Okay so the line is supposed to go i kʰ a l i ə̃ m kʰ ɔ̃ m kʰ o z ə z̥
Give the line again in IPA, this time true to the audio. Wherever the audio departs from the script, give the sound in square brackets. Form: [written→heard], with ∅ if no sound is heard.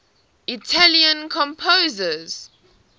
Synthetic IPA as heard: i [kʰ→tʰ] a l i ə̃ [m→n] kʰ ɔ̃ m [kʰ→pʰ] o z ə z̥